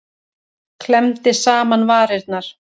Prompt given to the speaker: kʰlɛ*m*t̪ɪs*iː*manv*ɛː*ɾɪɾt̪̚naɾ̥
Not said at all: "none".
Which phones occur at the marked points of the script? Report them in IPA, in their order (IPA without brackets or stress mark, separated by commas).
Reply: m, aː, aː